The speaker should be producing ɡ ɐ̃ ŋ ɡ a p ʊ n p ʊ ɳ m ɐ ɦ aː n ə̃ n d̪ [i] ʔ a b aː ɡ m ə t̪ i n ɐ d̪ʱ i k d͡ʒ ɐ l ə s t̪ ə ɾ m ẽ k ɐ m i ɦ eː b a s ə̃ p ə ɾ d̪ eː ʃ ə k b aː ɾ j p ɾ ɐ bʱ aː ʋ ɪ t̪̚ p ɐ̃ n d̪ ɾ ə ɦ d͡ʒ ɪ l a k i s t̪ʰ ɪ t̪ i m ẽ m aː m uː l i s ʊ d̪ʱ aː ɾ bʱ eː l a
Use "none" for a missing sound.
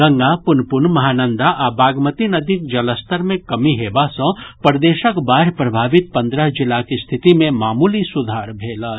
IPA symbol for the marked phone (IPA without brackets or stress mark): a